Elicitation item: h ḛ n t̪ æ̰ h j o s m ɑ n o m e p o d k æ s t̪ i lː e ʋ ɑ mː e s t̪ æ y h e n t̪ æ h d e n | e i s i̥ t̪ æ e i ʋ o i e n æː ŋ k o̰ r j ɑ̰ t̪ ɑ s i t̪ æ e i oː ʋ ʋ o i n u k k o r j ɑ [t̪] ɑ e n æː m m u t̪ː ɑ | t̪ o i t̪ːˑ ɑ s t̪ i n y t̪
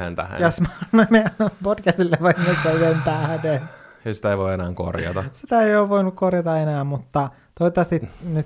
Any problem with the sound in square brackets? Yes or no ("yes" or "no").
no